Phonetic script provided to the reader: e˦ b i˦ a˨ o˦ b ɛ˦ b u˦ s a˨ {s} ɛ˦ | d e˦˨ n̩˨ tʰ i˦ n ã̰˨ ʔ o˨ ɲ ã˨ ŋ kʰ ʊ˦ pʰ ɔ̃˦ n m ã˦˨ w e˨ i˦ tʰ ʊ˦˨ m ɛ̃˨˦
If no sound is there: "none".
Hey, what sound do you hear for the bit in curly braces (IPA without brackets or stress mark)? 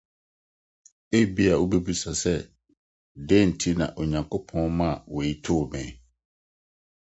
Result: s